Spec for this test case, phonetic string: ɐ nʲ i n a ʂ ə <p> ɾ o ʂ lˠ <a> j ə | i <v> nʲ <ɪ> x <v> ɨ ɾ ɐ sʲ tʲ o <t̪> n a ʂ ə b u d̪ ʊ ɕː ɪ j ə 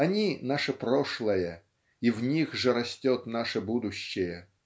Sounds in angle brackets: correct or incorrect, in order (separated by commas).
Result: correct, incorrect, correct, incorrect, incorrect, correct